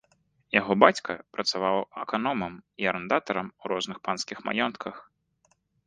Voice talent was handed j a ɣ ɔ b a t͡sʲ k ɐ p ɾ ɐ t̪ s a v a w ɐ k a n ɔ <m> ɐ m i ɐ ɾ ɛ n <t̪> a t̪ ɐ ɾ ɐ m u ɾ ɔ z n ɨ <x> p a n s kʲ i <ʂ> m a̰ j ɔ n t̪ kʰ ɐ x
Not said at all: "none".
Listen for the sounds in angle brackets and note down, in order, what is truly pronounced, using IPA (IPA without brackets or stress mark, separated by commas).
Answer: m, d̪, x, x